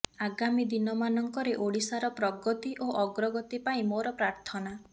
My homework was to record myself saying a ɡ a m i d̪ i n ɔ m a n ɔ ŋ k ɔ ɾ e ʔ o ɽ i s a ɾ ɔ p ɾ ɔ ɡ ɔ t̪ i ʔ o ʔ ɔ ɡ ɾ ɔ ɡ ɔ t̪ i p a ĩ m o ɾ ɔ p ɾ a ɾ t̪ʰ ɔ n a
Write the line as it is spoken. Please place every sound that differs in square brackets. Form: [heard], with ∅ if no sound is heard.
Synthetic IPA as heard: a ɡ a m i d̪ i n ɔ m a n ɔ ŋ k ɔ ɾ e ʔ o ɽ i s a ɾ ɔ p ɾ ɔ ɡ ɔ t̪ i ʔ o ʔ ɔ ɡ ɾ ɔ ɡ ɔ t̪ i p a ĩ m o ɾ ɔ p ɾ a ɾ t̪ʰ ɔ n a